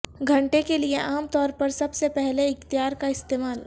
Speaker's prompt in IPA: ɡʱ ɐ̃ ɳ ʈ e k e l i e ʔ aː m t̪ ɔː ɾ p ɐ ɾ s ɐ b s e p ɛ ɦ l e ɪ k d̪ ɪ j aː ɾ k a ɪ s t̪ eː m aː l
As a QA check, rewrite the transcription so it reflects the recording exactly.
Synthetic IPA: ɡʱ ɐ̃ ɳ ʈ e k e l i e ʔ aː m t̪ ɔː ɾ p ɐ ɾ s ɐ b s e p ɛ ɦ l e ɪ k t̪ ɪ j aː ɾ k a ɪ s t̪ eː m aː l